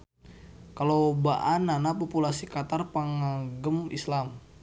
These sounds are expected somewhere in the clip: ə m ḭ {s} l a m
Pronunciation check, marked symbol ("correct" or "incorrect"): correct